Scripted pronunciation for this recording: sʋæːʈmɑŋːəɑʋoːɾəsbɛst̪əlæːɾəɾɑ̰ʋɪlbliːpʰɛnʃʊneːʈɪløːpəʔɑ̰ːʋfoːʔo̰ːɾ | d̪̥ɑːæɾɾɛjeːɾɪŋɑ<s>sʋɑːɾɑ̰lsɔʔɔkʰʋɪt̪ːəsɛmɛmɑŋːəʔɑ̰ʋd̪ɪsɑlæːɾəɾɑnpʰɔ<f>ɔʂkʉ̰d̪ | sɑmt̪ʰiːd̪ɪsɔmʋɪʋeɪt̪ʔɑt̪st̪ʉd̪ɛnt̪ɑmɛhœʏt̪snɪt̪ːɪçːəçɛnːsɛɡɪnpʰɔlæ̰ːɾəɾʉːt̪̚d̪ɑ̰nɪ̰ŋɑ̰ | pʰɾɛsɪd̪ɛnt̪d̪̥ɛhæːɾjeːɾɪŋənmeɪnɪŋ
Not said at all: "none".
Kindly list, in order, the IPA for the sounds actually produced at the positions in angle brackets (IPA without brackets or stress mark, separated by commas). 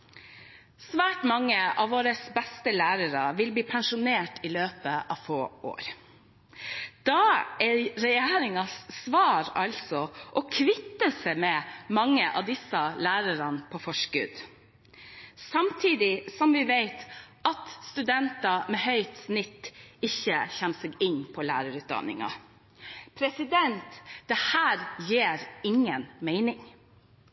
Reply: s, f